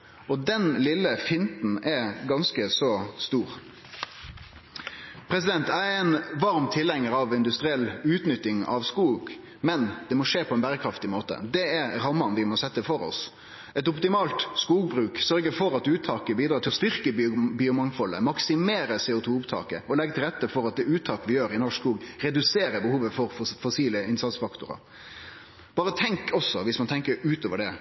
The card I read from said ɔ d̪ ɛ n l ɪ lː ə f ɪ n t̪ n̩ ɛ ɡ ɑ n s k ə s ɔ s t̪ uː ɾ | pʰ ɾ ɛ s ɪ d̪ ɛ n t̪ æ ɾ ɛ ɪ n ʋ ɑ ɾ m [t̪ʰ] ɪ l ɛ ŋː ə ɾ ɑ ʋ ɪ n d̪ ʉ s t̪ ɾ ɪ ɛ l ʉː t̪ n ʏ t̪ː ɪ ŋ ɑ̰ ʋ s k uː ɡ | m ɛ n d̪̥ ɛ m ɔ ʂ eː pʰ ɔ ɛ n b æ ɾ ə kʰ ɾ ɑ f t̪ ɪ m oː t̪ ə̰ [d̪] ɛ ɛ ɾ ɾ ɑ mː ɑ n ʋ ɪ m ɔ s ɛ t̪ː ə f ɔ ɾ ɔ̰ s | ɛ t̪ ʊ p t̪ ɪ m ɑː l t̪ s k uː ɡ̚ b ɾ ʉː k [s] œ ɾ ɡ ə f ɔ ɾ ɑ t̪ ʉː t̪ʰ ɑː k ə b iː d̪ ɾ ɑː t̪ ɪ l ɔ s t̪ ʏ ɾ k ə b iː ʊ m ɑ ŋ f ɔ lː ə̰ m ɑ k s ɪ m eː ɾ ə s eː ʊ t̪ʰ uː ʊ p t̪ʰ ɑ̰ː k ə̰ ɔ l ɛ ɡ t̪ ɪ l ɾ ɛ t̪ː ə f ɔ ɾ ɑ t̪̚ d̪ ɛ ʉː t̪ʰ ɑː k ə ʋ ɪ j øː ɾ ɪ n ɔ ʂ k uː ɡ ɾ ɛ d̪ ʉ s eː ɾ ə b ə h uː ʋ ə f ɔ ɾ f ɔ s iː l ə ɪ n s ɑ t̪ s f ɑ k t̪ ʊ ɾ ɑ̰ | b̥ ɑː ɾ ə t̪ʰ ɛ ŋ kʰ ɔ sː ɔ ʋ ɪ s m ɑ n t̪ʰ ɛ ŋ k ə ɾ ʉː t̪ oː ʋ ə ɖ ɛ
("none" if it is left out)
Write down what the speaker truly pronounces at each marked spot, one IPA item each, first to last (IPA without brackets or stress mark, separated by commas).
t̪ʰ, d̪, s